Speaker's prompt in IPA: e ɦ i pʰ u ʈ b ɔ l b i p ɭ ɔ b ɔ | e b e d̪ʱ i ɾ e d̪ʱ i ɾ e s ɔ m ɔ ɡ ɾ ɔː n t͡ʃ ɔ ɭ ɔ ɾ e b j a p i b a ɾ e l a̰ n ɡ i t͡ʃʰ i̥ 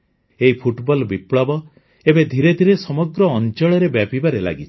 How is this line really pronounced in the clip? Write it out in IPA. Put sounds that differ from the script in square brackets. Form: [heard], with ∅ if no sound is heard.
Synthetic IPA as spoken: e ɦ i pʰ u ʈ b ɔ l b i p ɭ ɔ b ɔ | e b e d̪ʱ i ɾ e d̪ʱ i ɾ e s ɔ m ɔ ɡ ɾ ɔː n t͡ʃ ɔ ɭ ɔ ɾ e b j a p i b a ɾ e l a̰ [∅] ɡ i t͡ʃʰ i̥